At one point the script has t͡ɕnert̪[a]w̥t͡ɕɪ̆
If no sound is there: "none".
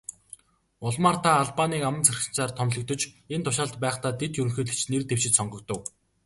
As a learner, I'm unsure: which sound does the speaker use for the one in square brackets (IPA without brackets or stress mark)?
e